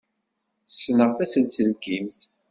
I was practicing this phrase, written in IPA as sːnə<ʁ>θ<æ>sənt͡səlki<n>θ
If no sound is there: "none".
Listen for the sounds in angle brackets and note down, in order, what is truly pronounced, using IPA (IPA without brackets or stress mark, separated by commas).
ʁ, æ, m